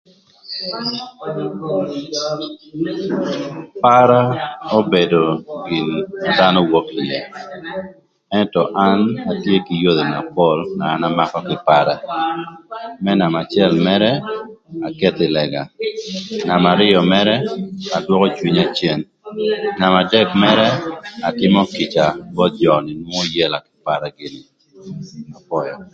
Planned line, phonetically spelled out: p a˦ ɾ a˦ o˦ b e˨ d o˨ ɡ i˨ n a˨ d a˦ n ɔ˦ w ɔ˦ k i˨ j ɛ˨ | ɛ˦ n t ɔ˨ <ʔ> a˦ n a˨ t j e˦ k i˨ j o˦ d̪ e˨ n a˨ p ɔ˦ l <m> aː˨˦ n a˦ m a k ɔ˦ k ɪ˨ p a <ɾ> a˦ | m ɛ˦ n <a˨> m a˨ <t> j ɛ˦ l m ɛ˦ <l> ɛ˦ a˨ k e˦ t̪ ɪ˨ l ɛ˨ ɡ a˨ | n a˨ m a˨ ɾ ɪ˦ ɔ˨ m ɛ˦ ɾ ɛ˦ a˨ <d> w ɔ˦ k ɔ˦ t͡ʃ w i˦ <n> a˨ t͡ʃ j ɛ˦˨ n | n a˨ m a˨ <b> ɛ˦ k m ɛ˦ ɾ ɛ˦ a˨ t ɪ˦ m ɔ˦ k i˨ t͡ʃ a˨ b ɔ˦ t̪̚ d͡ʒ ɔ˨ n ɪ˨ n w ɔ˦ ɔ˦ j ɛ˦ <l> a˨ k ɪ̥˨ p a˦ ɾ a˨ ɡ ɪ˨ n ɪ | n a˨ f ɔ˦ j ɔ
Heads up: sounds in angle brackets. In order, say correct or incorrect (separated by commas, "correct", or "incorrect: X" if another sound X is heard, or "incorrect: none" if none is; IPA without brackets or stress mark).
correct, incorrect: n, correct, correct, incorrect: t͡ʃ, incorrect: ɾ, correct, incorrect: ɲ, incorrect: d, correct